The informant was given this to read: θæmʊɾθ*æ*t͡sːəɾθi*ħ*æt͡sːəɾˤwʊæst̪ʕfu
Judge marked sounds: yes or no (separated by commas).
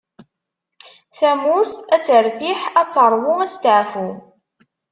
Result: yes, yes